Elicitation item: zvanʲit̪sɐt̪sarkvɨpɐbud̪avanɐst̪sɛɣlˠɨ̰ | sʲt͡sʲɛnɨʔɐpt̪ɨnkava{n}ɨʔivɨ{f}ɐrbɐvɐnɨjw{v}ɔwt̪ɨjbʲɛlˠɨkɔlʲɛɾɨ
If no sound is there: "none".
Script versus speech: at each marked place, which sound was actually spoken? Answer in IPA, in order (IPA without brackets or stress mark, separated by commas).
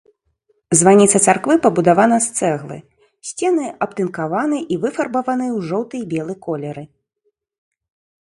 n, f, ʐ